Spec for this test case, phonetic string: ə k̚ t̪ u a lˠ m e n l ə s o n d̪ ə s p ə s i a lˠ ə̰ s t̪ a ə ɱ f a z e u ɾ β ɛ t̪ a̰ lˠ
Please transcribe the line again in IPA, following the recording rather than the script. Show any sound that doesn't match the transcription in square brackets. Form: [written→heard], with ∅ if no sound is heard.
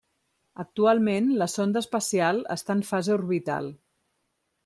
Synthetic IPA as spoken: ə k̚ t̪ u a lˠ m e n l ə s o n d̪ ə s p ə s i a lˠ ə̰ s t̪ a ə ɱ f a z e u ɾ β [ɛ→i] t̪ a̰ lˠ

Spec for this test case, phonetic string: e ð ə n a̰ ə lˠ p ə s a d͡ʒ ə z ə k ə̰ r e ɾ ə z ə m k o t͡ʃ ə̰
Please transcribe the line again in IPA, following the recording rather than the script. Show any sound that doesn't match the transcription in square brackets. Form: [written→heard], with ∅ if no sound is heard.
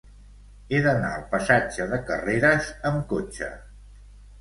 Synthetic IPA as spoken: e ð ə n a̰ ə lˠ p ə s a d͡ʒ ə [z→ð] ə k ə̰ r e ɾ ə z ə m k o t͡ʃ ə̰

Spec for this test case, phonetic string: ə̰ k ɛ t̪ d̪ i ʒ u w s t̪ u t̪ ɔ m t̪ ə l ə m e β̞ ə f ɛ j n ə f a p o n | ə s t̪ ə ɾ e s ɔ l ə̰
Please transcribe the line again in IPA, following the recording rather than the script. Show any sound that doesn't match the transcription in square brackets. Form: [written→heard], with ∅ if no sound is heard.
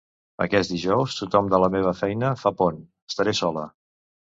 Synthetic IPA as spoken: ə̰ k ɛ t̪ d̪ i ʒ [u→ɔ] w s t̪ u t̪ ɔ m [t̪→d̪] ə l ə m e β̞ ə f ɛ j n ə f a p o n | ə s t̪ ə ɾ e s ɔ l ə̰

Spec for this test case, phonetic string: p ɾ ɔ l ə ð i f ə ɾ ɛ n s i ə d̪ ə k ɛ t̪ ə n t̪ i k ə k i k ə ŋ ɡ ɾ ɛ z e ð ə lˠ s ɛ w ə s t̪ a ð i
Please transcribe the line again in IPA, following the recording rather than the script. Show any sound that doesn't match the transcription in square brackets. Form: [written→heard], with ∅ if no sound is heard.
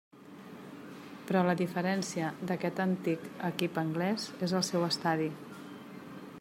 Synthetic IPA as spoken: p ɾ ɔ l ə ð i f ə ɾ ɛ n s i ə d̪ ə k ɛ t̪ ə n t̪ i k ə k i [k→p] ə ŋ ɡ [ɾ→l] ɛ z e [ð→z] ə lˠ s ɛ w ə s t̪ a ð i

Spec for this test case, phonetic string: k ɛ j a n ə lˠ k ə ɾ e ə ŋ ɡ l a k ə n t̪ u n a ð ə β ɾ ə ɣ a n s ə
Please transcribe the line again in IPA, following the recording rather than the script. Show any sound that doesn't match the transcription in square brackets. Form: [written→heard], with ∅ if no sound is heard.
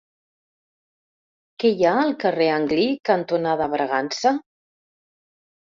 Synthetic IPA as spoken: k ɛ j a [n→∅] ə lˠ k ə [ɾ→r] e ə ŋ ɡ l [a→i] k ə n t̪ u n a ð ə β ɾ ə ɣ a n s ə

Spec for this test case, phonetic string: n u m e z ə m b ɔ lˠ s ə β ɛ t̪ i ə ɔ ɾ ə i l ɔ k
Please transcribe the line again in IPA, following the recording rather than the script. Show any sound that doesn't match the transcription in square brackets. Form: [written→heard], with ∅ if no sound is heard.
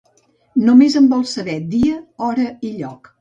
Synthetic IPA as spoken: n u m e z ə m b ɔ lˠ s ə β ɛ [t̪→d̪] i ə ɔ ɾ ə i [l→ʎ] ɔ k

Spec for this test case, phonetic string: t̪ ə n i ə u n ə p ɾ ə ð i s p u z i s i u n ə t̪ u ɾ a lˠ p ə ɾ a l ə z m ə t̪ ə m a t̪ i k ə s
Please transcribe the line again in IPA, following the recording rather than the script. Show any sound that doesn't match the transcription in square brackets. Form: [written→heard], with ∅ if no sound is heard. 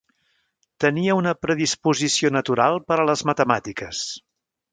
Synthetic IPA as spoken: t̪ ə n i ə u n ə p ɾ ə ð i s p u z i s i [u→o] n ə t̪ u ɾ a lˠ p ə ɾ [a→ə] l ə z m ə t̪ ə m a t̪ i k ə s

